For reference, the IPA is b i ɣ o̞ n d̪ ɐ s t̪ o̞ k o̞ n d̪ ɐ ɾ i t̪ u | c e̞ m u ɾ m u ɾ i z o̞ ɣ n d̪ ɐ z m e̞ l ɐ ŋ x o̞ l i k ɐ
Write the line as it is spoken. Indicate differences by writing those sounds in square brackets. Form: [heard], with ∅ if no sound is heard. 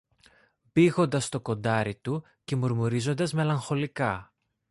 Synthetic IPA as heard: b i ɣ o̞ n d̪ ɐ s t̪ o̞ k o̞ n d̪ ɐ ɾ i t̪ u | c e̞ m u ɾ m u ɾ i z o̞ [∅] n d̪ ɐ z m e̞ l ɐ ŋ x o̞ l i k ɐ